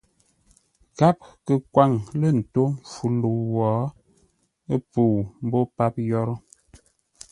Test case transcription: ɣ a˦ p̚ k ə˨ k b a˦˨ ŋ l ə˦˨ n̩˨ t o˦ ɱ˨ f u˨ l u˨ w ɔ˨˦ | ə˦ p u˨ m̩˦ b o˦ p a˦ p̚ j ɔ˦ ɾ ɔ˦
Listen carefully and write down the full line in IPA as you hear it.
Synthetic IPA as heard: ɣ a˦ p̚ k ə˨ k w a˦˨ ŋ l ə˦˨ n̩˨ t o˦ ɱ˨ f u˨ l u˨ w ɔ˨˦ | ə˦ p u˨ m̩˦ b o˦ p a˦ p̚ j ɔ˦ ɾ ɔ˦